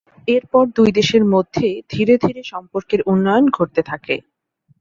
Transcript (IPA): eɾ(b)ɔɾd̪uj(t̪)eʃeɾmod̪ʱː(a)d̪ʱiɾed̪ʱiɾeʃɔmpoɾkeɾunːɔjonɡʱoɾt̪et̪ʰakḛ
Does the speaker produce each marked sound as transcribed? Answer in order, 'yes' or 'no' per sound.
no, no, no

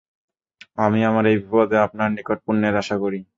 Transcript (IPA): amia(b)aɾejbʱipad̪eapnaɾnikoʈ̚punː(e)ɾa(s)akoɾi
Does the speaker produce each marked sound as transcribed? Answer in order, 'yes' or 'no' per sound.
no, yes, no

